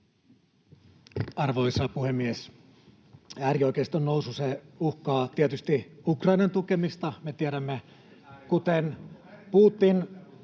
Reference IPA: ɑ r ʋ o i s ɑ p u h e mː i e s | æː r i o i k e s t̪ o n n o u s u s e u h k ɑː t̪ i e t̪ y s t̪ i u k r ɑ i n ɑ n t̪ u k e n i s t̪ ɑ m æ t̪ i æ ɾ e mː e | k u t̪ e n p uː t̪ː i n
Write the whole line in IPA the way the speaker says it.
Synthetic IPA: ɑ r ʋ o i s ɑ p u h e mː i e s | æː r i o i k e s t̪ o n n o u s u s e u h k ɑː t̪ i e t̪ y s t̪ i u k r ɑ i n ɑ n t̪ u k e m i s t̪ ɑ m e t̪ i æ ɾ æ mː e | k u t̪ e n p uː t̪ː i n

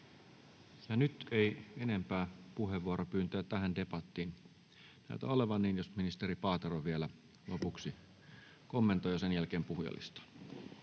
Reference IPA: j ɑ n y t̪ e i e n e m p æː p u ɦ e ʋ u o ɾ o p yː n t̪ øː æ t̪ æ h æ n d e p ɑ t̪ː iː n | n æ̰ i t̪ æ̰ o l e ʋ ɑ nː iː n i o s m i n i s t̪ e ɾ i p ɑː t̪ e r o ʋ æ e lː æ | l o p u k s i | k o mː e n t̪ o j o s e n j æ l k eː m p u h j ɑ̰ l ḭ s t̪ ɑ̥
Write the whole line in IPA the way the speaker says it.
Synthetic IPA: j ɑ n y t̪ e i e n e m p æː p u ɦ e ʋ u o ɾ o p yː n t̪ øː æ t̪ æ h æ n d e p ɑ t̪ː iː n | n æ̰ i t̪ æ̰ o l e ʋ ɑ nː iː n j o s m i n i s t̪ e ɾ i p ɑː t̪ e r o ʋ i e l æ | l o p u k s i | k o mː e n t̪ o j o s e n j æ l k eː m p u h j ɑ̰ l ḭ s t̪ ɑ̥

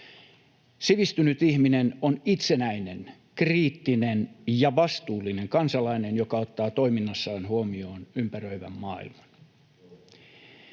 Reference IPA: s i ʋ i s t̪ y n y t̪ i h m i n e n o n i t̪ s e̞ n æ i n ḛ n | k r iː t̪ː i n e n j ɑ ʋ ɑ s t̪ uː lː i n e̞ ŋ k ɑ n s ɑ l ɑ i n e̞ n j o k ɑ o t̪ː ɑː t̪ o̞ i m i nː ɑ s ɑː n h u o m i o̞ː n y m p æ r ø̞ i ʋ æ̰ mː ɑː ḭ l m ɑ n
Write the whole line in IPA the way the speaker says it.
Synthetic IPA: s i ʋ i s t̪ y n y t̪ i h m i n e n o n i t̪ s e̞ n æ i n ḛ n | k r iː t̪ː i n e n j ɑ ʋ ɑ s t̪ uː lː i n e̞ ŋ k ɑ n s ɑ l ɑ i n e̞ n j o k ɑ o t̪ː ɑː t̪ o̞ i m i nː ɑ sː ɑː n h u o m i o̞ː n y m p æ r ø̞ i ʋ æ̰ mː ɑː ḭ l m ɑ n

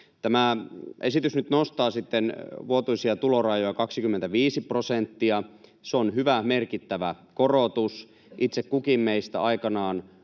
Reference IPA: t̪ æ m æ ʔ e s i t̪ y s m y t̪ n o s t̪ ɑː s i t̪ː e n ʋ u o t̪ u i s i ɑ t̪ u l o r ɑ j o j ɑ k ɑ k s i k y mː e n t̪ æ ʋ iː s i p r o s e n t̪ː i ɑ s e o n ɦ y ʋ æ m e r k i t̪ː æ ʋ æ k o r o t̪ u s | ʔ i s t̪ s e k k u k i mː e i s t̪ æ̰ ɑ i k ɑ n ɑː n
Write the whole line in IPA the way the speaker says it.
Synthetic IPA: t̪ æ m æ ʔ e s i t̪ y s n y t̪ n o s t̪ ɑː s i t̪ː e n ʋ u o t̪ u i s i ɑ t̪ u l o r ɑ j o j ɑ k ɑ k s i k y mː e n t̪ æ ʋ iː s i p r o s e n t̪ː i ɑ s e o n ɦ y ʋ æ m e r k i t̪ː æ ʋ æ k o r o t̪ u s | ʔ i t̪ s e k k u k i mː e i s t̪ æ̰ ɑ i k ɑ n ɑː n

